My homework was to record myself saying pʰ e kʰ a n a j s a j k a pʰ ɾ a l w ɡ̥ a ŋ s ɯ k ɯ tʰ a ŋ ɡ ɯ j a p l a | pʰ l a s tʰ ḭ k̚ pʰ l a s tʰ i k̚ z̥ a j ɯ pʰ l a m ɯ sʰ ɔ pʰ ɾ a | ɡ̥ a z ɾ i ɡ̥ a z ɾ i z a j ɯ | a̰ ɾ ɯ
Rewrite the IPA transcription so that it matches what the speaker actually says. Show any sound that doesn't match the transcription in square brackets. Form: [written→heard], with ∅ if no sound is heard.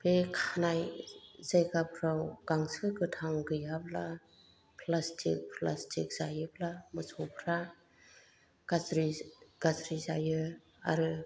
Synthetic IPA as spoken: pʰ e kʰ a n a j [s→z] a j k a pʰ ɾ a [l→∅] w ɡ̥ a ŋ s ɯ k ɯ tʰ a ŋ ɡ ɯ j a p l a | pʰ l a s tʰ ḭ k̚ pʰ l a s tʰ i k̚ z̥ a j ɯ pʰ l a m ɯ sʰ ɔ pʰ ɾ a | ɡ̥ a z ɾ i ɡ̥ a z ɾ i z a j ɯ | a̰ ɾ ɯ

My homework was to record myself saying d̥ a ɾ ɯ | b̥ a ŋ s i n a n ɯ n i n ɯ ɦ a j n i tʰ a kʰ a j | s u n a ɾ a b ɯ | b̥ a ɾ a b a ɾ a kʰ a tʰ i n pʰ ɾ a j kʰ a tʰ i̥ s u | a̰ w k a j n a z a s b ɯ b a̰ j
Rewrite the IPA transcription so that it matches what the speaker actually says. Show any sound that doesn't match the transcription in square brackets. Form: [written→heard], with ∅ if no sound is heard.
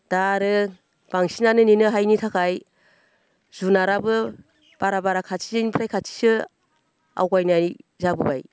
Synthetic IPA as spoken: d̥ a ɾ ɯ | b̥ a ŋ s i n a n ɯ n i n ɯ ɦ a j n i tʰ a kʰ a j | [s→z] u n a ɾ a b ɯ | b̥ a ɾ a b a ɾ a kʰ a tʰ i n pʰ ɾ a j kʰ a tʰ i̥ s [u→ɯ] | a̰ w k a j n a z a [s→∅] b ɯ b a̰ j

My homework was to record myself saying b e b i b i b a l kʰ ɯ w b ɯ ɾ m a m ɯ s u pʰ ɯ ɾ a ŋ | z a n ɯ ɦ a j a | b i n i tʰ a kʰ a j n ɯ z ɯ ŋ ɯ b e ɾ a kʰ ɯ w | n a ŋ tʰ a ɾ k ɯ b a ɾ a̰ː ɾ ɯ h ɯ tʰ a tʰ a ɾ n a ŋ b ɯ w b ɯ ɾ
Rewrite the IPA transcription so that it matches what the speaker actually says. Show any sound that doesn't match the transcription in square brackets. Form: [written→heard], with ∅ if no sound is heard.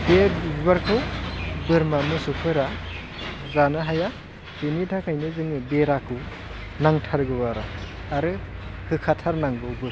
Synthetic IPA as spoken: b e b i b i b a [l→ɾ] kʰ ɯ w b ɯ ɾ m a m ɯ s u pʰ ɯ ɾ a [ŋ→∅] | z a n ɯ ɦ a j a | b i n i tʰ a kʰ a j n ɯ z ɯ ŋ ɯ b e ɾ a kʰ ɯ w | n a ŋ tʰ a ɾ [k→ɡ] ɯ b a ɾ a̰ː ɾ ɯ h ɯ [tʰ→kʰ] a tʰ a ɾ n a ŋ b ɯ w b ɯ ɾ

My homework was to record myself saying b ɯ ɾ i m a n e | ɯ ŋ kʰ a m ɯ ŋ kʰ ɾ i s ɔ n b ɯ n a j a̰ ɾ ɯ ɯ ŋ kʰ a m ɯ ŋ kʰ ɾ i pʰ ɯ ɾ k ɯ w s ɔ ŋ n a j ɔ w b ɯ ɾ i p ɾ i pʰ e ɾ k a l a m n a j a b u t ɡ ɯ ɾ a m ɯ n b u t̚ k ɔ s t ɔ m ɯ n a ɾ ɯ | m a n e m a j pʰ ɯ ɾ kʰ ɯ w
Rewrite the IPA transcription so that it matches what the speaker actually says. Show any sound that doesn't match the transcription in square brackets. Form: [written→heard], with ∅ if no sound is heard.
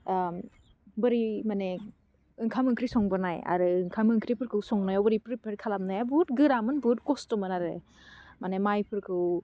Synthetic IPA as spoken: b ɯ ɾ i m a n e | ɯ ŋ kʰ a m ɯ ŋ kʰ ɾ i s ɔ [n→ŋ] b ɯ n a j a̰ ɾ ɯ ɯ ŋ kʰ a m ɯ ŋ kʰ ɾ i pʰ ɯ ɾ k ɯ w s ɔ ŋ n a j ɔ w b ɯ ɾ i p ɾ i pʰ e ɾ [k→kʰ] a l a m n a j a b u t ɡ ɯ ɾ a m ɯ n b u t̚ k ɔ s t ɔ m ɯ n a ɾ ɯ | m a n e m a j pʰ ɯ ɾ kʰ ɯ w

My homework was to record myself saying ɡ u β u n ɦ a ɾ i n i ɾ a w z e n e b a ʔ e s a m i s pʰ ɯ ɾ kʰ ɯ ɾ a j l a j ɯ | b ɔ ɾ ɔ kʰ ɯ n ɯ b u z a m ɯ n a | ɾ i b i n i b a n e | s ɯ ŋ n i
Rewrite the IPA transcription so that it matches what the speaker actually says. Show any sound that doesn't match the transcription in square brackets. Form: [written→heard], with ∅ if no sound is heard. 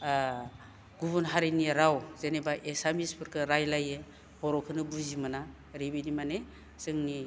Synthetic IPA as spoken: ɡ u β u n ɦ a ɾ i n i ɾ a w z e n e b a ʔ e s a m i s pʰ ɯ ɾ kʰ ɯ ɾ a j l a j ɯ | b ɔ ɾ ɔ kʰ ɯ n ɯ b u z [a→i] m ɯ n a | ɾ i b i n i [b→m] a n e | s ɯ ŋ n i

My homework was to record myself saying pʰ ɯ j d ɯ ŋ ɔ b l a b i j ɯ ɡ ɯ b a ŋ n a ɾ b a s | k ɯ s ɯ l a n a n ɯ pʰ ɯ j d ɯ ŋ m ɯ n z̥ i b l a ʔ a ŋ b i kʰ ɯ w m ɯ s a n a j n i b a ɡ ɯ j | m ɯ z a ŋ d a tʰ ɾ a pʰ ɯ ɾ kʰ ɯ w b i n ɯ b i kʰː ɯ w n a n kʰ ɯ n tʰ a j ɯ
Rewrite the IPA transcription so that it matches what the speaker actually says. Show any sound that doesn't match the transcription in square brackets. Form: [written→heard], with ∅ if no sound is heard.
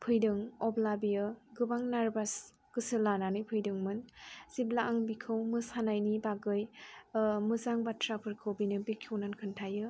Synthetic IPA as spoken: pʰ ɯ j d ɯ ŋ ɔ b l a b i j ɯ ɡ ɯ b a ŋ n a ɾ b a s | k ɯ s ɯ l a n a n ɯ pʰ ɯ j d ɯ ŋ m ɯ n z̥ i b l a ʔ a ŋ b i kʰ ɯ w m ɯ s a n a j n i b a ɡ ɯ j | m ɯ z a ŋ [d→b] a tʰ ɾ a pʰ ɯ ɾ kʰ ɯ w b i n ɯ b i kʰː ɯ w n a n kʰ ɯ n tʰ a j ɯ

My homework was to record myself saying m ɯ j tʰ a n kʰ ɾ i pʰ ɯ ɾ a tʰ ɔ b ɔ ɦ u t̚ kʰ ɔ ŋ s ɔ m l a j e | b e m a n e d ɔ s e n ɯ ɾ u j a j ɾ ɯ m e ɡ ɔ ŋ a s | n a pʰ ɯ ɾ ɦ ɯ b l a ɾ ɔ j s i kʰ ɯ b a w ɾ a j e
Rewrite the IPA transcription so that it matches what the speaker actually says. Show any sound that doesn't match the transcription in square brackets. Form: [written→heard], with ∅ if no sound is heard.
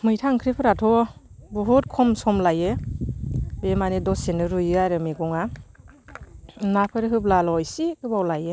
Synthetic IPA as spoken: m ɯ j tʰ a [n→ŋ] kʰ ɾ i pʰ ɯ ɾ a tʰ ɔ b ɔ ɦ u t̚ kʰ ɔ [ŋ→m] s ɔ m l a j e | b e m a n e d ɔ s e n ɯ ɾ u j a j ɾ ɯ m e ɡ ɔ ŋ a [s→∅] | n a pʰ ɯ ɾ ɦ ɯ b l a [ɾ→l] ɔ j s i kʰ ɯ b a w [ɾ→l] a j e

